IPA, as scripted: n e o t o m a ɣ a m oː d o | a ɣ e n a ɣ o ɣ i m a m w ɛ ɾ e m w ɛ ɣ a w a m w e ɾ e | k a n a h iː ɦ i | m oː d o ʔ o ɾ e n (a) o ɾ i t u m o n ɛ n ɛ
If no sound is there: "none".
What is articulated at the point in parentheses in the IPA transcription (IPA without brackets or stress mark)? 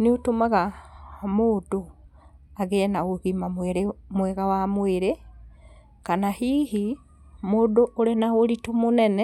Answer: a